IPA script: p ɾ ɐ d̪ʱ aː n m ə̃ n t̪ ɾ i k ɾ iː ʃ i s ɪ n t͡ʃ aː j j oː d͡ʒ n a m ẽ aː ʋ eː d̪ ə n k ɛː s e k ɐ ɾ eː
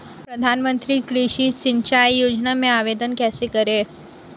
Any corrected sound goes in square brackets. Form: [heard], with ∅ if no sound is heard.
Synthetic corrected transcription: p ɾ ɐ d̪ʱ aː n m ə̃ n t̪ ɾ i k ɾ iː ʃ i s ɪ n t͡ʃ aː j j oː d͡ʒ n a m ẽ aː ʋ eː d̪ ə n k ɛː s e k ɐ ɾ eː